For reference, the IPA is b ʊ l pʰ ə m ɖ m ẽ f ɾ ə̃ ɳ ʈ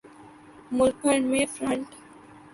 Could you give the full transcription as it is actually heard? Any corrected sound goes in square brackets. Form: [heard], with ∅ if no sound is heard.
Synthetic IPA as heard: [m] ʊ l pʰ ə [ɳ] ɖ m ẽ f ɾ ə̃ ɳ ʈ